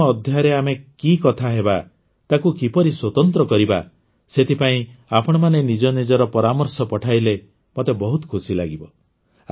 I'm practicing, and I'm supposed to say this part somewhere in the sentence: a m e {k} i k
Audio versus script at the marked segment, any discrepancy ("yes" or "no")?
no